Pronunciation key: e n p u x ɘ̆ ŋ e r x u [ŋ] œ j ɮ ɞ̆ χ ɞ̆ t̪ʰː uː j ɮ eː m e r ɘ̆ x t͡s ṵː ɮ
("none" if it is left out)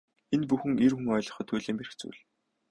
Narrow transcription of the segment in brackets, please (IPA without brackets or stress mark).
ŋ